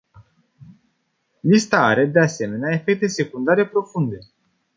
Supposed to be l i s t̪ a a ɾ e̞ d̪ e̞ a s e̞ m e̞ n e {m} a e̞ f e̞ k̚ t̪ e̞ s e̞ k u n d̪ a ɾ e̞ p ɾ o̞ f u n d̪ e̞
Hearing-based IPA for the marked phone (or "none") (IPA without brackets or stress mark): none